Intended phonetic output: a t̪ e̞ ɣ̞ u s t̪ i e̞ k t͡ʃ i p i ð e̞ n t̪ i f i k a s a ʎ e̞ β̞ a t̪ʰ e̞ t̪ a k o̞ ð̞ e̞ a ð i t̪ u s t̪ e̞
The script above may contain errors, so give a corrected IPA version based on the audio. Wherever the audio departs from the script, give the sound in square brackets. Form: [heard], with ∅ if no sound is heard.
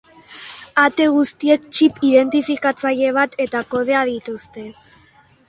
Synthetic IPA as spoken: a t̪ e̞ ɣ̞ u s t̪ i e̞ k t͡ʃ i p i ð e̞ n t̪ i f i k a [t͡s] a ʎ e̞ β̞ a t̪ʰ e̞ t̪ a k o̞ ð̞ e̞ a ð i t̪ u s t̪ e̞